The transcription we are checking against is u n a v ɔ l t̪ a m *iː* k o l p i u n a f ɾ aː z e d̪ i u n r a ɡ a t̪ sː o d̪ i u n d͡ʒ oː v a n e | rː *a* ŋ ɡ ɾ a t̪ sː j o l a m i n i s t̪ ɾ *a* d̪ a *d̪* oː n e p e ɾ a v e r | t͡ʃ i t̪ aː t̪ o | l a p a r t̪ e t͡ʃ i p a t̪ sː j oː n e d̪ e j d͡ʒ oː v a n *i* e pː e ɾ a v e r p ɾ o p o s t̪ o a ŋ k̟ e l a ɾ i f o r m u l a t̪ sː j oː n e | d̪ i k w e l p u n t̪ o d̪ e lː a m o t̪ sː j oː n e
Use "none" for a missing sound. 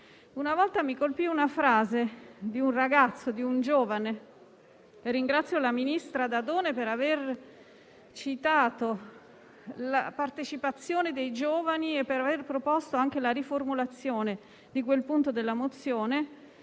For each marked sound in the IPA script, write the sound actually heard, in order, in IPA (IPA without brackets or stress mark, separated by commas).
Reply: i, i, a, d̪, i